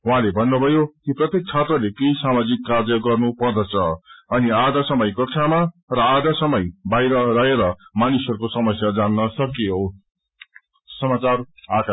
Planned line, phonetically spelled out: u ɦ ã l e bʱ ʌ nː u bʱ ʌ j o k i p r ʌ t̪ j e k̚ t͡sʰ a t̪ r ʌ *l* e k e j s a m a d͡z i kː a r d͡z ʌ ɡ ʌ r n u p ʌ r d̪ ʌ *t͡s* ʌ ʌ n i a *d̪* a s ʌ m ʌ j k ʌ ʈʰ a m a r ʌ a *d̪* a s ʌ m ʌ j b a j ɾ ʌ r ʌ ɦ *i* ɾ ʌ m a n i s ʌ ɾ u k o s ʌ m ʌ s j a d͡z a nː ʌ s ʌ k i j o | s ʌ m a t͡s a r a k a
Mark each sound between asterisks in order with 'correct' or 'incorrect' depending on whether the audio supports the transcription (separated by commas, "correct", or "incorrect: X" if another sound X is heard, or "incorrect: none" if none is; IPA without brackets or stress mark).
correct, incorrect: t͡sʰ, correct, correct, incorrect: e